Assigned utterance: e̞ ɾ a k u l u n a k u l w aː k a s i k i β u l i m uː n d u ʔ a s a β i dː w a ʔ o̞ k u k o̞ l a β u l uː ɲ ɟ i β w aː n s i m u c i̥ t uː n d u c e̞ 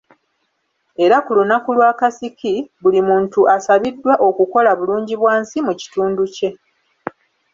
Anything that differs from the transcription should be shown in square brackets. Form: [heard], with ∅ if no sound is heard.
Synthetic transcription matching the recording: e̞ ɾ a k u l u n a k u l w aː k a s i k i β u l i m uː n [t] u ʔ a s a β i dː w a ʔ o̞ k u k o̞ l a β u l uː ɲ ɟ i β w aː n s i m u c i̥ t uː n d u c e̞